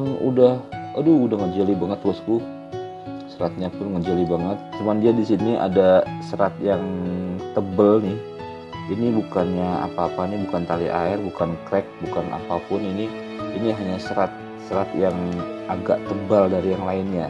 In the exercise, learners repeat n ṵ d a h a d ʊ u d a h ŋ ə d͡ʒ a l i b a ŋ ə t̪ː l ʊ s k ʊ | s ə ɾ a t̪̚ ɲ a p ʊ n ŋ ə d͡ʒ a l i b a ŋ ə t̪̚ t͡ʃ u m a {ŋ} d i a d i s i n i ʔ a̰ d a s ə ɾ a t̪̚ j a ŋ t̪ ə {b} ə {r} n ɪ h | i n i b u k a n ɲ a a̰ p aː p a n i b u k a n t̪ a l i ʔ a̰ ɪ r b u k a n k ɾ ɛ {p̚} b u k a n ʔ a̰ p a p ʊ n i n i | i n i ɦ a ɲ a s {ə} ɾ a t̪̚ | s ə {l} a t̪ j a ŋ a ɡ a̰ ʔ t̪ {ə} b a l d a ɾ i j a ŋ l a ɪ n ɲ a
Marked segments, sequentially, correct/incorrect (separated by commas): incorrect, correct, incorrect, incorrect, correct, incorrect, correct